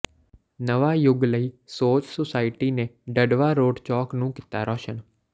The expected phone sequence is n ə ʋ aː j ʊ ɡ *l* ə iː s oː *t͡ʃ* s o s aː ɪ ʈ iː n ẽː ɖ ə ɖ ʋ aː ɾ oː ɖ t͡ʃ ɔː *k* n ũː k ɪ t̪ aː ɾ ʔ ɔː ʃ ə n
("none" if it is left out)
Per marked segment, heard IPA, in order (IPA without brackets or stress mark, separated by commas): l, t͡ʃ, k